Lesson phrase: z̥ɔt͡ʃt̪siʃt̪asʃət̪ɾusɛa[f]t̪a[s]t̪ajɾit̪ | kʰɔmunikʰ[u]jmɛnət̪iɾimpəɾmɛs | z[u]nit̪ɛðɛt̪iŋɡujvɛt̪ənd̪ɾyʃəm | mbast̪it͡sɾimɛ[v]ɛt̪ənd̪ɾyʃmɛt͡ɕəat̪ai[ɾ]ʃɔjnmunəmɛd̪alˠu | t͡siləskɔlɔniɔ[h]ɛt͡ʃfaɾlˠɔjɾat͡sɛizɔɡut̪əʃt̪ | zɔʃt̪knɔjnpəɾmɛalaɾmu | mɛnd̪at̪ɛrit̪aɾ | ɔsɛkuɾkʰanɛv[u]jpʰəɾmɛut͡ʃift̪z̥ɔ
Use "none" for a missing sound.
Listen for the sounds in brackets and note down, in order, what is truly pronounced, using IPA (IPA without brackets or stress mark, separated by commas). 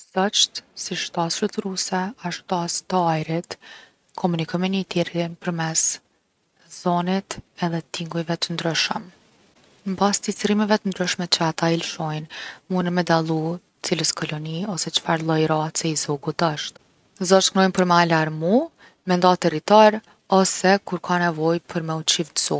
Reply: ʃ, s, ɔ, ɔ, v, l, s, ɔ